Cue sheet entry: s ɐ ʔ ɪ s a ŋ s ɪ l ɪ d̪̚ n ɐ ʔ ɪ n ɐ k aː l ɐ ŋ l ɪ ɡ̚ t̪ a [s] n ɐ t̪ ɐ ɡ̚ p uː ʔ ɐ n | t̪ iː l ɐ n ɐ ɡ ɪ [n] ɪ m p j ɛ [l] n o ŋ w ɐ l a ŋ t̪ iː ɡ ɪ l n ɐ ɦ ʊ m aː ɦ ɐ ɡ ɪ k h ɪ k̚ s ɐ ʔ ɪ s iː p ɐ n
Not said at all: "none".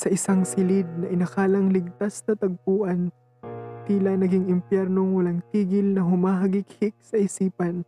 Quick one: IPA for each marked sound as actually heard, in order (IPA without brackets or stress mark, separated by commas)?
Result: s, ŋ, ɾ